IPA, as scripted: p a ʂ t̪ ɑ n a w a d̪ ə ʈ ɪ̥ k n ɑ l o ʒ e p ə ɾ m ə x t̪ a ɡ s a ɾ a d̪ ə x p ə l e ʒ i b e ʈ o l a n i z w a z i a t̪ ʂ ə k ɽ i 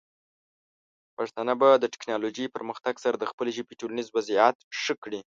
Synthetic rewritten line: p a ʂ t̪ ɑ n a b a d̪ ə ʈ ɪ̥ k n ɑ l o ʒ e p ə ɾ m ə x t̪ a ɡ s a ɾ a d̪ ə x p ə l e ʒ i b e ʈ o l a n i z w a z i a t̪ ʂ ə k ɽ i